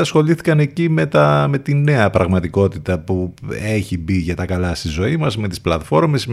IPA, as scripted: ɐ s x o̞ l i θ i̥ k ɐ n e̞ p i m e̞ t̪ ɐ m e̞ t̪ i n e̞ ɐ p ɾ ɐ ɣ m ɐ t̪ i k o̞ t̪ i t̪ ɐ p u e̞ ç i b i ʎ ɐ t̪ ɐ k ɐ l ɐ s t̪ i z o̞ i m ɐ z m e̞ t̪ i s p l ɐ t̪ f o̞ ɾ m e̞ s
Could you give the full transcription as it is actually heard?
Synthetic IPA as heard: ɐ s x o̞ l i θ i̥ k ɐ n e̞ c i m e̞ t̪ ɐ m e̞ t̪ i n e̞ ɐ p ɾ ɐ ɣ m ɐ t̪ i k o̞ t̪ i t̪ ɐ p u e̞ ç i b i ʝ ɐ t̪ ɐ k ɐ l ɐ s t̪ i z o̞ i m ɐ z m e̞ t̪ i s p l ɐ t̪ f o̞ ɾ m e̞ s